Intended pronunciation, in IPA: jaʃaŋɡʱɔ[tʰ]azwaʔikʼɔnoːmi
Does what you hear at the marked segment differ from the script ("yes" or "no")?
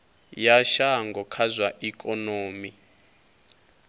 yes